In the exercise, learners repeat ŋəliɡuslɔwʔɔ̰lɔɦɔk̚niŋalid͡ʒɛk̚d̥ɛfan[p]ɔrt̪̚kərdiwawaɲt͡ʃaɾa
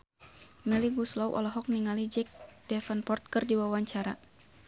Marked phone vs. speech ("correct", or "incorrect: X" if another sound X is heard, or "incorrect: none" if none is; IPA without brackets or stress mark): correct